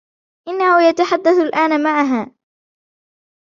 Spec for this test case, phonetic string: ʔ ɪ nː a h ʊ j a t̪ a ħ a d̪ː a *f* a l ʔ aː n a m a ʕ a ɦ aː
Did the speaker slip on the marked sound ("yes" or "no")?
yes